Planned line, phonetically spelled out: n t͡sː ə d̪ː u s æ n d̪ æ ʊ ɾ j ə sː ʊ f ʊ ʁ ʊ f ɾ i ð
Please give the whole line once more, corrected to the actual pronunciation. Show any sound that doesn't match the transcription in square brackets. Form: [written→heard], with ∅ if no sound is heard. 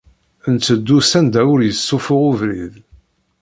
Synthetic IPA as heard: n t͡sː ə d̪ː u s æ n d̪ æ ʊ ɾ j ə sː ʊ f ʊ ʁ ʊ [f→v] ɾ i ð